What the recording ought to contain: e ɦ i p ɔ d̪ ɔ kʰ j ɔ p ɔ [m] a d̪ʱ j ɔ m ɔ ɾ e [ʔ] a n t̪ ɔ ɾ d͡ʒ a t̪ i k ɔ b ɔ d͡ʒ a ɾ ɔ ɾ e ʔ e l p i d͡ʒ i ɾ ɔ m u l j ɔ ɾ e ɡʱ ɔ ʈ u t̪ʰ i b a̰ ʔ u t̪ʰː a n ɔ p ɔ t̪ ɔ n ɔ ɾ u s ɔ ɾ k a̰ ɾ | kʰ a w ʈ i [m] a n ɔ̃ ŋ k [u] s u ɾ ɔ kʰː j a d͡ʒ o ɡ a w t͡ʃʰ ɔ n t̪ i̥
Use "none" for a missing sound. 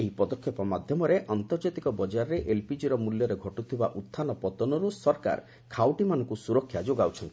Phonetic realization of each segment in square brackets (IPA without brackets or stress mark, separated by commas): m, ʔ, m, u